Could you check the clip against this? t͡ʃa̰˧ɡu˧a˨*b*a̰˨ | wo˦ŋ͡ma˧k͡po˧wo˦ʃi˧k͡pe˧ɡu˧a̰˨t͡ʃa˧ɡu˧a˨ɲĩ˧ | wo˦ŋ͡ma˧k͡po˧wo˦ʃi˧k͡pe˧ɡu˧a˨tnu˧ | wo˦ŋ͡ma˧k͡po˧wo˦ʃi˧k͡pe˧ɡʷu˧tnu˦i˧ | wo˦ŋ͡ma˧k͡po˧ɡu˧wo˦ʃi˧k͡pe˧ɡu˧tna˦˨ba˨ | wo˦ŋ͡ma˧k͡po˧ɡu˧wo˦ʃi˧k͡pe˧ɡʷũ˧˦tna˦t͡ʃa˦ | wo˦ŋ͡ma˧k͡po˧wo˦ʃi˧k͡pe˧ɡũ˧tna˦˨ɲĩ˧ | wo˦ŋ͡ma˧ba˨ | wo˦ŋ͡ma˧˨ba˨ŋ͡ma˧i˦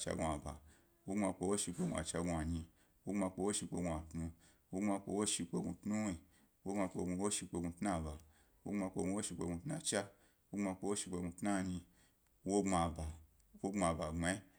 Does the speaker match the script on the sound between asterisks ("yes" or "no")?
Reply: yes